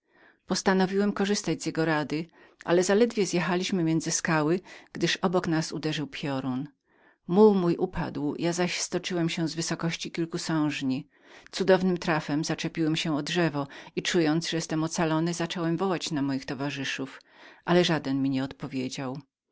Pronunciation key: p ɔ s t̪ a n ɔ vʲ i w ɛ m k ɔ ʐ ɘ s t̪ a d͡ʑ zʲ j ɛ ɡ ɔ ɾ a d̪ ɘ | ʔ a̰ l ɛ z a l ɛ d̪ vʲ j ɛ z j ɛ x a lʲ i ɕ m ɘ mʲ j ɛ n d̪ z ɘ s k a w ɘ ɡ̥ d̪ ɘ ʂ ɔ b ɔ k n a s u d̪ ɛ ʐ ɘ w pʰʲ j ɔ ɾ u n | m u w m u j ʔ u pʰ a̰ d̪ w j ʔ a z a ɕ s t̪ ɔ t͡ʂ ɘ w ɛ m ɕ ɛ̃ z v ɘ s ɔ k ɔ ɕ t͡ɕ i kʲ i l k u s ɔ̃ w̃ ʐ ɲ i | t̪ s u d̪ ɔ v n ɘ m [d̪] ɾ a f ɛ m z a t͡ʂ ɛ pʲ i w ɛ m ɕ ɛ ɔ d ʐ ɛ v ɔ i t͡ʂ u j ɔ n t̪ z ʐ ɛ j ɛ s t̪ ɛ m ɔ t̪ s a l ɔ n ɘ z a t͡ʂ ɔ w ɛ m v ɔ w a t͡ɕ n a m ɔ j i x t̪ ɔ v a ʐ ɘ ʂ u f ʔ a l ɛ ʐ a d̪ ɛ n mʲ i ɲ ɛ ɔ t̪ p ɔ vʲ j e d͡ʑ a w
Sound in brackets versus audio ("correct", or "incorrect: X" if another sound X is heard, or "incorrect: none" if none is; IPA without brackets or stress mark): incorrect: t̪